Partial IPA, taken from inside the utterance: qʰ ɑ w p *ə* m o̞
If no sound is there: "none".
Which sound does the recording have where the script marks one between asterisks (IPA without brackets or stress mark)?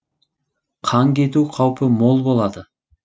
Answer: ə